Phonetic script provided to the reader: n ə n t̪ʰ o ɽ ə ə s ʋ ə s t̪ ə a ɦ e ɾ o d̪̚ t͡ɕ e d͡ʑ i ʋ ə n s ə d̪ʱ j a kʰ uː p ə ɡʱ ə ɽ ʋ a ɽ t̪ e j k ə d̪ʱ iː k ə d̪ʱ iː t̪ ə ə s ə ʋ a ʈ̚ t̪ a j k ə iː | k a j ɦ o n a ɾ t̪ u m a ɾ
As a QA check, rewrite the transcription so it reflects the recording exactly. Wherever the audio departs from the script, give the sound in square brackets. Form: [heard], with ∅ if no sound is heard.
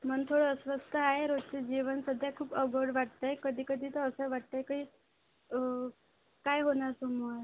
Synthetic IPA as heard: [m] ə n t̪ʰ o ɽ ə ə s ʋ ə s t̪ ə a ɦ e ɾ o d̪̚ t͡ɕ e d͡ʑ i ʋ ə n s ə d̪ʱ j a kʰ uː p ə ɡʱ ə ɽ ʋ a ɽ t̪ [a] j k ə d̪ʱ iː k ə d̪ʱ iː t̪ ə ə s ə ʋ a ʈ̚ t̪ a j k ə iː | k a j ɦ o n a ɾ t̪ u m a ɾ